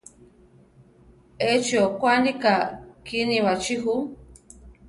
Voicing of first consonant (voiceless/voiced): voiceless